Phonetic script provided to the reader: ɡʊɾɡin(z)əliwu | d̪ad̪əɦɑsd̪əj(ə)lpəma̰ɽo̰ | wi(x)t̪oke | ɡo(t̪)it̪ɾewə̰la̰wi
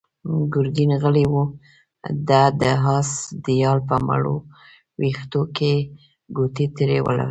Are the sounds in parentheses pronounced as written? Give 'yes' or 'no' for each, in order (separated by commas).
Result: no, no, yes, yes